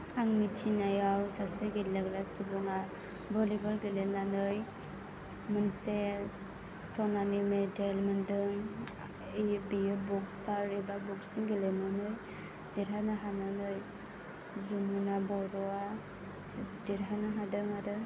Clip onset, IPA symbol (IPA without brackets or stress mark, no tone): a